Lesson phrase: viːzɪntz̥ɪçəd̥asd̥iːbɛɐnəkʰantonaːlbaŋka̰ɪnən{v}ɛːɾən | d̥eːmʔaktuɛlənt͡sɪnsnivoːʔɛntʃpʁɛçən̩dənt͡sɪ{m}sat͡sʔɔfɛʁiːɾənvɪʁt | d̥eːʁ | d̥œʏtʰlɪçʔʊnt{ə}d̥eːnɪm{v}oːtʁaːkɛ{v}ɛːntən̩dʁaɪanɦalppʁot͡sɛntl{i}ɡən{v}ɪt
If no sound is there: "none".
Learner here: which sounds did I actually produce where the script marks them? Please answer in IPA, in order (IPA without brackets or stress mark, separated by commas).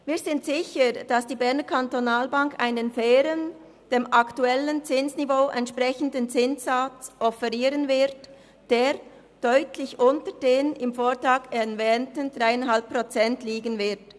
f, n, ə, f, v, iː, v